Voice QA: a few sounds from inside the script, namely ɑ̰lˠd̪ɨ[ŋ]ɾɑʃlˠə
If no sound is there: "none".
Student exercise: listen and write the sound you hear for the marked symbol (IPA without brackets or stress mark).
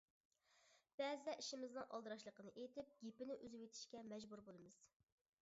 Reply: none